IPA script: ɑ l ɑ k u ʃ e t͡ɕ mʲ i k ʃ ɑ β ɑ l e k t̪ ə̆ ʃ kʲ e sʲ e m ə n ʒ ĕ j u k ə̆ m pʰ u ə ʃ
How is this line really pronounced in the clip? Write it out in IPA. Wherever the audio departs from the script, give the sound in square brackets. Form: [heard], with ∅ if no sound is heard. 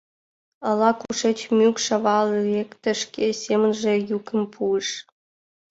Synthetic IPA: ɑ l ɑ k u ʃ e t͡ɕ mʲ [y] k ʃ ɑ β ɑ l e k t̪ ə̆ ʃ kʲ e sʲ e m ə n ʒ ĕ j u k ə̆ m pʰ u ə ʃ